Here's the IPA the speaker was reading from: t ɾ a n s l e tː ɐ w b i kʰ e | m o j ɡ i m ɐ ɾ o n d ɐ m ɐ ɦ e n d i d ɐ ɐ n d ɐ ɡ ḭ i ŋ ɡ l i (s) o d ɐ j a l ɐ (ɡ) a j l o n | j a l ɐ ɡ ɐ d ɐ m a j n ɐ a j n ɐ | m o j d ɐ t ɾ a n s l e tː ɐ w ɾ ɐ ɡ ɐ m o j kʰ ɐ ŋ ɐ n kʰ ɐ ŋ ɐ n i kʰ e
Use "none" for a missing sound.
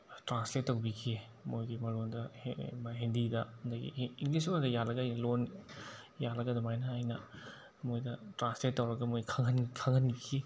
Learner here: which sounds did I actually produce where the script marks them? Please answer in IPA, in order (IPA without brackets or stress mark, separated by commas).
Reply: s, ɡ